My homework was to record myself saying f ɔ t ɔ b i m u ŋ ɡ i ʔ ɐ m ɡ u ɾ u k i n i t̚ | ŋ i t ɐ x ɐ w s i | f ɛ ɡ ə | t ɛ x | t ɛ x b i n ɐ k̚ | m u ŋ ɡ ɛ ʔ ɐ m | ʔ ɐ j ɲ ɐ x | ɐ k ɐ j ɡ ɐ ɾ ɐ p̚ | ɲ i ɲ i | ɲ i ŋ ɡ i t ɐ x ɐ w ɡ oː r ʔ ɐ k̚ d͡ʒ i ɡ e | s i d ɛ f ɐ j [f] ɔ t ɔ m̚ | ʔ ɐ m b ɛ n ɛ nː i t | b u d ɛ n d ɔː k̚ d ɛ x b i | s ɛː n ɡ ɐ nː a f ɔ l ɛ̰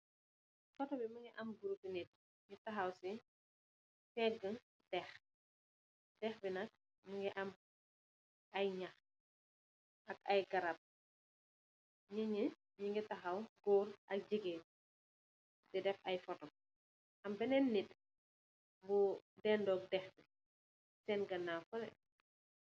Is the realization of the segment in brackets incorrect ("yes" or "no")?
no